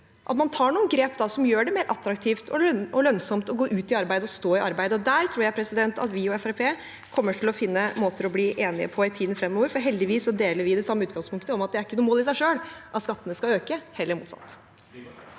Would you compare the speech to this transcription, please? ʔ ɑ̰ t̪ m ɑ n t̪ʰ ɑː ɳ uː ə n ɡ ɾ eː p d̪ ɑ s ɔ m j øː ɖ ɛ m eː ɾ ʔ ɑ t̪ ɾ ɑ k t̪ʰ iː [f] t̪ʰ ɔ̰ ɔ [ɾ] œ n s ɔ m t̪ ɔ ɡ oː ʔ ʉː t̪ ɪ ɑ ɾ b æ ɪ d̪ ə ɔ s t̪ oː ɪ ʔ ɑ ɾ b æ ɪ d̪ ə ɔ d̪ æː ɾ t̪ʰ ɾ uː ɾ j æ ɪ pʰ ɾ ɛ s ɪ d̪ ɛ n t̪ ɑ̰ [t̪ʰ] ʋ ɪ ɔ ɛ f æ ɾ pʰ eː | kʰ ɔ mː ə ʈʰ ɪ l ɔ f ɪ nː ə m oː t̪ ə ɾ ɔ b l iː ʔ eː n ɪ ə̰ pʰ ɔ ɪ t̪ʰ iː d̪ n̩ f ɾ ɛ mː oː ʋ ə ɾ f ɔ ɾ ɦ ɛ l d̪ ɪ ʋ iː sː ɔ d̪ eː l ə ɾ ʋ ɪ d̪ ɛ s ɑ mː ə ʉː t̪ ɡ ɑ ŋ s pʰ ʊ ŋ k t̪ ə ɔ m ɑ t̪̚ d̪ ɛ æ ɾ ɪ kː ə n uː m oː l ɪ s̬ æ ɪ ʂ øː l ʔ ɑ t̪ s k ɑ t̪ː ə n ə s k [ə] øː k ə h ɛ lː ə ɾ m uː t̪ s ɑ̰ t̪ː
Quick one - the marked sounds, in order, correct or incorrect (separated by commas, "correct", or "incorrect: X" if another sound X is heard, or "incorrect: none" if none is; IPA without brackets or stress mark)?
correct, incorrect: l, incorrect: t̪, incorrect: ɑ